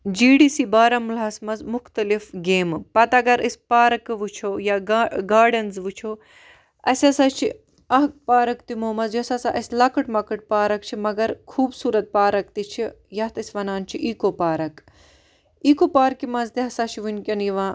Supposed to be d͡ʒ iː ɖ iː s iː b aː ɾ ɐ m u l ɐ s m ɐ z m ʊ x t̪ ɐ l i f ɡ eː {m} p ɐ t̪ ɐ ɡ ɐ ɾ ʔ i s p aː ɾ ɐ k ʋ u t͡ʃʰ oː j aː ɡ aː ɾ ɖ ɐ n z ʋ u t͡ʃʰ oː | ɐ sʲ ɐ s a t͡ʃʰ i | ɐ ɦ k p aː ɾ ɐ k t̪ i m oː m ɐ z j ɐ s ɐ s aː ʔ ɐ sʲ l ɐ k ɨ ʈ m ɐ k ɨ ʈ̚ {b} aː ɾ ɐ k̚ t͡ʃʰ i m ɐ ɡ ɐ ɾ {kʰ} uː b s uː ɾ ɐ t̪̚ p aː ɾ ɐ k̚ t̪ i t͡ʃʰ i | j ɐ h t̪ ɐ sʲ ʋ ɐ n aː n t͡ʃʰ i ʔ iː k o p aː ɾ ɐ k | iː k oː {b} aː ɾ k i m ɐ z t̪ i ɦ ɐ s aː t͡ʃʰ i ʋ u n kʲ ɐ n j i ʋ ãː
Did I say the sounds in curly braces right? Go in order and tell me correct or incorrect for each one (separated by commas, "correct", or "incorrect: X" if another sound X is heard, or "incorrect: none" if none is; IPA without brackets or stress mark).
correct, incorrect: p, correct, incorrect: p